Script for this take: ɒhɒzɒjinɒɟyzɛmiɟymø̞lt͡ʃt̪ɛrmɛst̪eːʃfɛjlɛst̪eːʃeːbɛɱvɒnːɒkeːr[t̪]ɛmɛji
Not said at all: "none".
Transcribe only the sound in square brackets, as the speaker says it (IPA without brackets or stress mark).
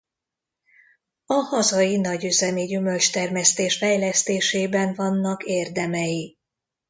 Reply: d̪